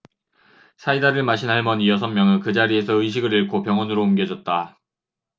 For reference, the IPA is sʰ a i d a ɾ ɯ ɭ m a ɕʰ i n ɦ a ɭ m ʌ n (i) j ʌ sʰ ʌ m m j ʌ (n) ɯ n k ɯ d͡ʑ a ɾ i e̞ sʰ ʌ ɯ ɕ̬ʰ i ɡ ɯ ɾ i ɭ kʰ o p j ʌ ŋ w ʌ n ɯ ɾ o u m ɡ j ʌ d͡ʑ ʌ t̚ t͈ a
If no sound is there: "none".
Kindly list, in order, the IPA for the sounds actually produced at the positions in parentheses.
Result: i, ŋ

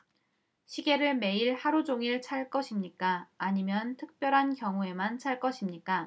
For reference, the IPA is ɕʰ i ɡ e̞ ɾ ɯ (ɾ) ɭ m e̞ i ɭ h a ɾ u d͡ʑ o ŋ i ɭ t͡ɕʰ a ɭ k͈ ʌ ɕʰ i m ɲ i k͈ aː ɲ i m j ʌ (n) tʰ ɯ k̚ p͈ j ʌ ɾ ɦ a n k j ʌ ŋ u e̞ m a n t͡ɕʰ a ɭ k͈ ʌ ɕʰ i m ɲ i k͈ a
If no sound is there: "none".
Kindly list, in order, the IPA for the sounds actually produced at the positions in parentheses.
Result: none, n

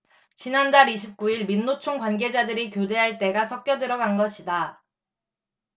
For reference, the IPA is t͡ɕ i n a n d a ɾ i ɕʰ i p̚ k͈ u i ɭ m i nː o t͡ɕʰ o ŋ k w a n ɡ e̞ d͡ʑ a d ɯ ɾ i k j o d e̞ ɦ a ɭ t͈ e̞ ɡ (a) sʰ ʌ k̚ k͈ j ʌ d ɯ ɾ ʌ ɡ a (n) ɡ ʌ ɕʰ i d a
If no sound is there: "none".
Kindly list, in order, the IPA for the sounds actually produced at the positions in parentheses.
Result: a, n

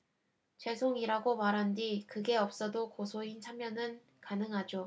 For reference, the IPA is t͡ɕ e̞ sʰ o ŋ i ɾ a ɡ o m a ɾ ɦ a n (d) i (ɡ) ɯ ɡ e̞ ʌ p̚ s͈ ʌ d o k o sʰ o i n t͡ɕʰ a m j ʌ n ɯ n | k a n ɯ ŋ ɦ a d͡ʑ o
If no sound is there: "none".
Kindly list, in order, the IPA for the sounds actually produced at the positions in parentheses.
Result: d, k

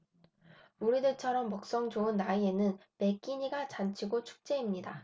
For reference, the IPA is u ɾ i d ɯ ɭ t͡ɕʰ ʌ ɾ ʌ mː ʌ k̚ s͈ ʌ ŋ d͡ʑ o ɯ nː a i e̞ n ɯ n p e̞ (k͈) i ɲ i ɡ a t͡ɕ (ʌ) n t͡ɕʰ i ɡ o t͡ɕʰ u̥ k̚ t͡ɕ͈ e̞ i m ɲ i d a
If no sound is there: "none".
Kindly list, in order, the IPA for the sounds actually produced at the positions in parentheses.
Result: k͈, a

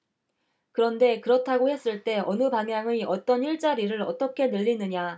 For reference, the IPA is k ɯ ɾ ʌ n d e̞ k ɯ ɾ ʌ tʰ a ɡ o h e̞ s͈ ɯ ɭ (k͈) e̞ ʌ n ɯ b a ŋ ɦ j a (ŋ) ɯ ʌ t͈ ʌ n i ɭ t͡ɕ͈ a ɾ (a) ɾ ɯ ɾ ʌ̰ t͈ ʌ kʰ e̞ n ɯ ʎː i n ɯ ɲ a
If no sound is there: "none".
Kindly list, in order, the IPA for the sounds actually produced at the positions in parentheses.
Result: t͈, ŋ, i

